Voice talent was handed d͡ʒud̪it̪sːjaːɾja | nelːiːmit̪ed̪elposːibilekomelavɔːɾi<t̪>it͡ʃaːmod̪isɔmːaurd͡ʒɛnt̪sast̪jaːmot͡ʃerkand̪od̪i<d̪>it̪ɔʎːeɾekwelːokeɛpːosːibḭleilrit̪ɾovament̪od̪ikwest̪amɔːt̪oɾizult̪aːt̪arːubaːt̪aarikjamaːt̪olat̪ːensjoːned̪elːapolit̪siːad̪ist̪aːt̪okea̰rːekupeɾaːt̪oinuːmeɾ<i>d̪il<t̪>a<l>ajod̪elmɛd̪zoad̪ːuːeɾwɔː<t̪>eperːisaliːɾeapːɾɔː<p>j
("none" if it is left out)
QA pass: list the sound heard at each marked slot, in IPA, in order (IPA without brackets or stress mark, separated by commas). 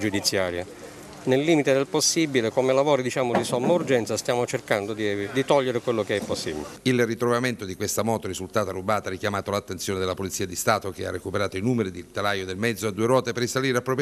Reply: d̪, d̪, i, t̪, l, t̪, p